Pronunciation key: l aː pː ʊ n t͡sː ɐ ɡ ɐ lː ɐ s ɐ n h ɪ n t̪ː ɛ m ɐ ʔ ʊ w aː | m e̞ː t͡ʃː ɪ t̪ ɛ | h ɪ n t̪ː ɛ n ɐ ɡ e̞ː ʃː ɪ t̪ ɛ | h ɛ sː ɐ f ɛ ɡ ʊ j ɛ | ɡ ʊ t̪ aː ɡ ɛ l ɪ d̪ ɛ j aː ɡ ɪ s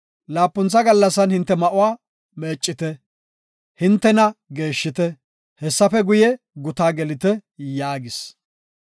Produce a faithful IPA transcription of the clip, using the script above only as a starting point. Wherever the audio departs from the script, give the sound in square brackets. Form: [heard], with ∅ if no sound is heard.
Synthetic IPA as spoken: l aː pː ʊ n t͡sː ɐ ɡ ɐ lː ɐ s ɐ n h ɪ n t̪ː ɛ m ɐ ʔ ʊ w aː | m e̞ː [t͡ʃʼː] ɪ t̪ ɛ | h ɪ n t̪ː ɛ n ɐ ɡ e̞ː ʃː ɪ t̪ ɛ | h ɛ sː ɐ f ɛ ɡ ʊ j ɛ | ɡ ʊ t̪ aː ɡ ɛ l ɪ [t̪] ɛ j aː ɡ ɪ s